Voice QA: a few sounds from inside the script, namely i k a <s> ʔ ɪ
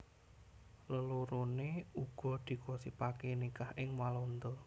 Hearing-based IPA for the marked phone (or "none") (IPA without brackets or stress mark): h